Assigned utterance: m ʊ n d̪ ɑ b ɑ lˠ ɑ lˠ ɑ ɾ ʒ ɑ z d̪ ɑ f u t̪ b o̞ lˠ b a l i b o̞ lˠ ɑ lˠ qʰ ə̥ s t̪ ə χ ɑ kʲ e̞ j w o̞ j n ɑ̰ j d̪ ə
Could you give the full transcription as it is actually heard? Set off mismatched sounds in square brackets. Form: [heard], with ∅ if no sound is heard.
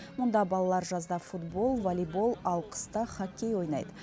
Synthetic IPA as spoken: m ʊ n d̪ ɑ b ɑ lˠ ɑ lˠ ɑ ɾ ʒ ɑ z d̪ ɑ f u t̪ b o̞ lˠ [v] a l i b o̞ lˠ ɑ lˠ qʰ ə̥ s t̪ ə χ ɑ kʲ e̞ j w o̞ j n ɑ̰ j d̪ ə